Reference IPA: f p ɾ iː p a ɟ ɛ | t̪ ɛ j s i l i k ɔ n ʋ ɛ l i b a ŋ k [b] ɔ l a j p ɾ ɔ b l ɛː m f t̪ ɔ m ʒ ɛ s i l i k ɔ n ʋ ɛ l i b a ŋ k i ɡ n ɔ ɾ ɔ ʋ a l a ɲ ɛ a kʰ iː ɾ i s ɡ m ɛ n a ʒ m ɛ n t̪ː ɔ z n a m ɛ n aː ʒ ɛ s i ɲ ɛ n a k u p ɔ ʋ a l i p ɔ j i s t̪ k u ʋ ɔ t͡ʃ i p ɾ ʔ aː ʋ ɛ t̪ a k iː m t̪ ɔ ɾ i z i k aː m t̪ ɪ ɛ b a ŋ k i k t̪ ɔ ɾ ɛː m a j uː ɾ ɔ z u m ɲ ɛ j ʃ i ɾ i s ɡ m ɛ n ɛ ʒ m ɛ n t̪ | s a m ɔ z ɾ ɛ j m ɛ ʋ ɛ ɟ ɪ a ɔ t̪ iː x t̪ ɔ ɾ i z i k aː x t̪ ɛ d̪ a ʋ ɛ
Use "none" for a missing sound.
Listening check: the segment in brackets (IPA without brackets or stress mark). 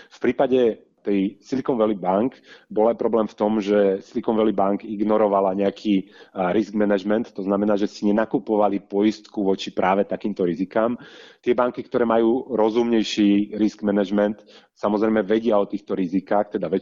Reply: b